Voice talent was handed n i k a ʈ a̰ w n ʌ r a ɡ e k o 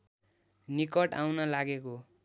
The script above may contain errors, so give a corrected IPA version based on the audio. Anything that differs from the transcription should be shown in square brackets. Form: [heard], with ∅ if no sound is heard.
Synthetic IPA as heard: n i k [ʌ] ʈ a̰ w n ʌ [l] a ɡ e k o